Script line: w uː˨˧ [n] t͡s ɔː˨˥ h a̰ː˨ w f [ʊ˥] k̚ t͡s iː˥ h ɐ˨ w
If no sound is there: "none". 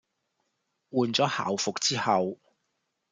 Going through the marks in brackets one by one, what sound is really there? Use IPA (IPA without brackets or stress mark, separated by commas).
n, ʊ˨